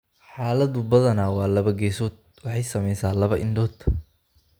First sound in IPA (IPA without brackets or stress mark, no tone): ħ